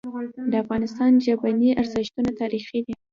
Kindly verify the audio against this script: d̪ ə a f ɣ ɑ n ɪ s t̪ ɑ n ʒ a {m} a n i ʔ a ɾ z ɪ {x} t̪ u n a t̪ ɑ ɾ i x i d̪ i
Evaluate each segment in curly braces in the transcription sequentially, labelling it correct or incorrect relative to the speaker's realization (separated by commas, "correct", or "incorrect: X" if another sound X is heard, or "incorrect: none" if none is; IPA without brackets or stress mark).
incorrect: b, incorrect: ʃ